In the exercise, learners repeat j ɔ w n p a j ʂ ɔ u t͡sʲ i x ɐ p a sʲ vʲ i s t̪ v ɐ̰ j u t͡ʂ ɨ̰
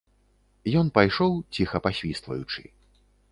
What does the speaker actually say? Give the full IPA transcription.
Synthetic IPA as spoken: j ɔ n p a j ʂ ɔ w t͡sʲ i x ɐ p a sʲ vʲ i s t̪ v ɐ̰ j u t͡ʂ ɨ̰